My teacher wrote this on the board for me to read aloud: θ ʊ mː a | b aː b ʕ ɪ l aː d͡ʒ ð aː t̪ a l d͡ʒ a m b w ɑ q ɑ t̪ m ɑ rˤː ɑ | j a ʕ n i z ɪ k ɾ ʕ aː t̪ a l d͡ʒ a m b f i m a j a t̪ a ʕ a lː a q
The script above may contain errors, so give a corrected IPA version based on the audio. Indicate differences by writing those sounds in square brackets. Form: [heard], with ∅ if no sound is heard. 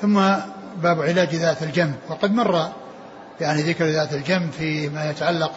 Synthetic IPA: θ ʊ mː a | b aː b ʕ ɪ l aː d͡ʒ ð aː t̪ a l d͡ʒ a m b w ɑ q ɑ [d̪] m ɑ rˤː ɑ | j a ʕ n i [ð] ɪ k ɾ [ð] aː t̪ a l d͡ʒ a m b f i m a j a t̪ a ʕ a lː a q